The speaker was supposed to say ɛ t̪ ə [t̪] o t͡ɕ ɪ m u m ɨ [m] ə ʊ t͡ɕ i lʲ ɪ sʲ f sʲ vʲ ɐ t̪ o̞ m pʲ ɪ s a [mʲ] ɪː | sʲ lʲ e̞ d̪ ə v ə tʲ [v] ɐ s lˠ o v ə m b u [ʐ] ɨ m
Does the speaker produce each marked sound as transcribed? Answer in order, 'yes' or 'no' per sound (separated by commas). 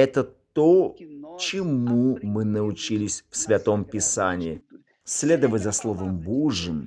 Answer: yes, no, no, no, yes